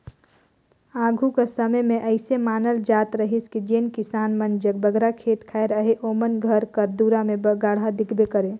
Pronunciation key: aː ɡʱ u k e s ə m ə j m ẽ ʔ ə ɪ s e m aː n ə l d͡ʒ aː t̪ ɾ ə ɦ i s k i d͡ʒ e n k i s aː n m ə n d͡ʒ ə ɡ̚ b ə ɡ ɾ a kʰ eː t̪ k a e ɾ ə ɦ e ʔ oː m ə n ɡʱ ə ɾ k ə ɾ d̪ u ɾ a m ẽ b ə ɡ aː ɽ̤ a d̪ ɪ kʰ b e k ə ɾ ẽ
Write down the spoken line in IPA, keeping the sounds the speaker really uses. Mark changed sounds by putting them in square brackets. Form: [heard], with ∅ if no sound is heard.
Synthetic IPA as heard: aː ɡʱ u k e s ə m ə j m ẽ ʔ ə ɪ s e m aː n ə l d͡ʒ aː t̪ ɾ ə ɦ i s k i d͡ʒ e n k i s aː n m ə n d͡ʒ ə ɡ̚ b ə ɡ ɾ a kʰ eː t̪ [kʰ] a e ɾ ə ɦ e ʔ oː m ə n ɡʱ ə ɾ k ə ɾ d̪ u ɾ a m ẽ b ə ɡ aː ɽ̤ a d̪ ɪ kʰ b e k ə ɾ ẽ